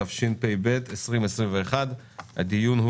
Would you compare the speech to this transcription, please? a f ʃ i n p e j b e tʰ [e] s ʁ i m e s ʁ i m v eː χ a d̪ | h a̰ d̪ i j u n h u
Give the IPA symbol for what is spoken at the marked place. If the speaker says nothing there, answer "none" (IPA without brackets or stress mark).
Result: e